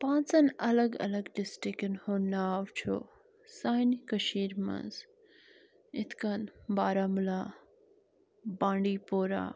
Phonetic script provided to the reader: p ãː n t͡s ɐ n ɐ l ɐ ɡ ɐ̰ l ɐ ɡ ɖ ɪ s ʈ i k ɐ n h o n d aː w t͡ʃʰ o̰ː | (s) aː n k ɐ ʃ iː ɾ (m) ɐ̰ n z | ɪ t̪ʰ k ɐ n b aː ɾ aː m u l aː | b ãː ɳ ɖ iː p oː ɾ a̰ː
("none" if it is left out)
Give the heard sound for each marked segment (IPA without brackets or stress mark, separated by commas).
s, m